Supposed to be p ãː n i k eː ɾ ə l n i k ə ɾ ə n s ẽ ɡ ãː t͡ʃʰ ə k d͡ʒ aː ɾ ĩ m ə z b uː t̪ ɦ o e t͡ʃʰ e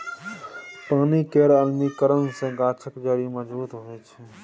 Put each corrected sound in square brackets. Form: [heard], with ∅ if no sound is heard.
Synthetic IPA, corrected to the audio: p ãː n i k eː ɾ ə l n i k ə ɾ ə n s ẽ ɡ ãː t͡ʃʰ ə k d͡ʒ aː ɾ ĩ m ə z b uː t̪ ɦ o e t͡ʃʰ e